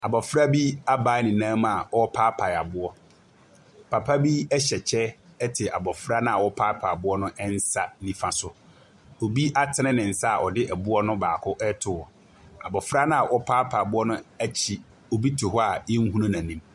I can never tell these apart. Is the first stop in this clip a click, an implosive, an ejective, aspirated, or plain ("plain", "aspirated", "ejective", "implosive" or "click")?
plain